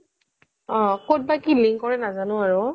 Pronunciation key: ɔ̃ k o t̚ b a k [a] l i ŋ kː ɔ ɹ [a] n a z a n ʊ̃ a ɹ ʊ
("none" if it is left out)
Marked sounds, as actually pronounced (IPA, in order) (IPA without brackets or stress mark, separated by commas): i, ɛ